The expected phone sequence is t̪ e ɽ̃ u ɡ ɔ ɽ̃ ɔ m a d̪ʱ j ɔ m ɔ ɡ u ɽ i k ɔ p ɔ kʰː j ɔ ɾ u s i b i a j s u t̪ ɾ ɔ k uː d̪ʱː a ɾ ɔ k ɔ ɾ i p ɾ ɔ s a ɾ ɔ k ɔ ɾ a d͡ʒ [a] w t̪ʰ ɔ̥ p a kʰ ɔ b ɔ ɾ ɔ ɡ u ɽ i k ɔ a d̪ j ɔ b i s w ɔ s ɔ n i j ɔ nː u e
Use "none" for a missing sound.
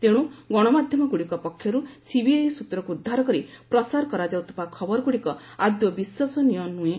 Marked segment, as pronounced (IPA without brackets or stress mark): a